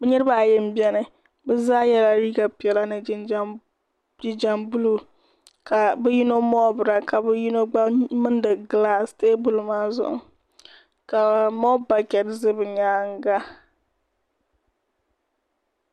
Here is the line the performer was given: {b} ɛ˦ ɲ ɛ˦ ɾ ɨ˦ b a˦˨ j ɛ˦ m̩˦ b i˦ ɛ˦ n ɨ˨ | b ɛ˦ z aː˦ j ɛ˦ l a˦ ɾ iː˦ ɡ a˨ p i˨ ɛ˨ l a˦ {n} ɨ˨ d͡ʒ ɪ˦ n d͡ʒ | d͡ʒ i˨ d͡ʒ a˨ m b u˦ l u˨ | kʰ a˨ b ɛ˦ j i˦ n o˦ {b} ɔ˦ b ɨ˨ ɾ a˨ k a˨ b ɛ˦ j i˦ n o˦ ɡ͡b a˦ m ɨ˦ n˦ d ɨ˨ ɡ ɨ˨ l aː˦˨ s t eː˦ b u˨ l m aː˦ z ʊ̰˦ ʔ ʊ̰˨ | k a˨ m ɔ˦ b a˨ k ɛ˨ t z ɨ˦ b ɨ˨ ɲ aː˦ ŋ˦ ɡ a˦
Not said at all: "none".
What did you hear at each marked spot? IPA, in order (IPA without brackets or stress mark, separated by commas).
b, n, m